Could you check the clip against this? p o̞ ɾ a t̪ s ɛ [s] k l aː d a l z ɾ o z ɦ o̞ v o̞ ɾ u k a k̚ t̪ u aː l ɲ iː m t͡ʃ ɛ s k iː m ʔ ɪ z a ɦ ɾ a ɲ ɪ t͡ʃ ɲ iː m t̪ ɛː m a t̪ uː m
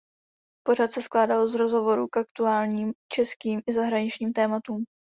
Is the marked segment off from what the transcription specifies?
no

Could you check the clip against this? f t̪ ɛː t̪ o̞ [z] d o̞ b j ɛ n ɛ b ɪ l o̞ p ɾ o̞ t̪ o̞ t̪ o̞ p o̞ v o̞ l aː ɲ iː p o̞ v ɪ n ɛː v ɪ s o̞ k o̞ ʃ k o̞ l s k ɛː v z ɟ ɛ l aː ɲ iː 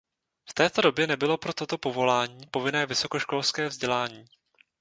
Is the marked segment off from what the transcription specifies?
yes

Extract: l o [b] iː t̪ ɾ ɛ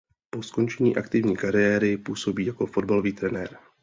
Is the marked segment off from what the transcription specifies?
yes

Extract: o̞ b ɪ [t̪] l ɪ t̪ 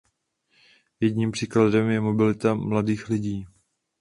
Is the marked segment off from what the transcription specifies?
yes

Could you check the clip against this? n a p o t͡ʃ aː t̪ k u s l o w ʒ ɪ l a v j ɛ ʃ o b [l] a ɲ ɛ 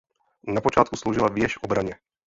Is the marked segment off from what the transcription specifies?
yes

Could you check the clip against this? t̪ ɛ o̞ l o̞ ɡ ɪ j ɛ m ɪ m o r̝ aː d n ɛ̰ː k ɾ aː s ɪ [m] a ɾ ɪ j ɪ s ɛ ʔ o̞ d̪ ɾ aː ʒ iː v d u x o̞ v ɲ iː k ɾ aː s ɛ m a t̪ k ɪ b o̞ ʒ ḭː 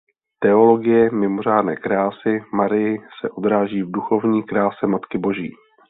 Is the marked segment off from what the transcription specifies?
no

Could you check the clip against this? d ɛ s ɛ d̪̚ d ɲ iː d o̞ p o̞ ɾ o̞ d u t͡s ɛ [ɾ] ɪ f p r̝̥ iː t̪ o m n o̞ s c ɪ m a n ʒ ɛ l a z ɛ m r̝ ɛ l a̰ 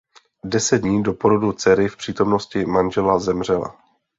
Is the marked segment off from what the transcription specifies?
no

